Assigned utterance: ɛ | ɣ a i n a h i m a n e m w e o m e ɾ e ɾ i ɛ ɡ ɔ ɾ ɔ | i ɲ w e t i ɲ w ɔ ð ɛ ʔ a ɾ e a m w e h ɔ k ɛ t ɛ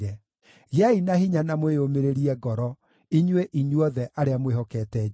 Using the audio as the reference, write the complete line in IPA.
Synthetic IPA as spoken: ɛ | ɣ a i n a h i ɲ a n a m w e o m e ɾ e ɾ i ɛ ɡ ɔ ɾ ɔ | i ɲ w e ʔ i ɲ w ɔ ð ɛ ʔ a ɾ e a m w e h ɔ k ɛ t ɛ